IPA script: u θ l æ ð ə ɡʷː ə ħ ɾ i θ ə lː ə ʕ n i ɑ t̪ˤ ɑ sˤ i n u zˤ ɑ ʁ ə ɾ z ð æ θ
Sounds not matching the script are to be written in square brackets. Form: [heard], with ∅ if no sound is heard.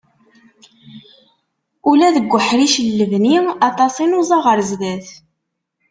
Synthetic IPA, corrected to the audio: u [∅] l æ ð ə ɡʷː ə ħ ɾ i [ʃ] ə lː ə [v] n i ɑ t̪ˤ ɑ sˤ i n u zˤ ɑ ʁ ə ɾ z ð æ θ